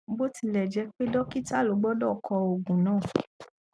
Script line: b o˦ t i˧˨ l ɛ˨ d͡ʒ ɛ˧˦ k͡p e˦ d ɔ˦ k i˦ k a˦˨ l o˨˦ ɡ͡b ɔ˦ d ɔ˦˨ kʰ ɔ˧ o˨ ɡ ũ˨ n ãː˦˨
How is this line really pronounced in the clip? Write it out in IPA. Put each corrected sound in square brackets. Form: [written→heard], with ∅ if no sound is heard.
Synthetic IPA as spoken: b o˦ t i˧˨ l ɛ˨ d͡ʒ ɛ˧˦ k͡p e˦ d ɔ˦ k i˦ [k→t] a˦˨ l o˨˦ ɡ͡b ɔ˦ d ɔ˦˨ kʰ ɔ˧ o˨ ɡ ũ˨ n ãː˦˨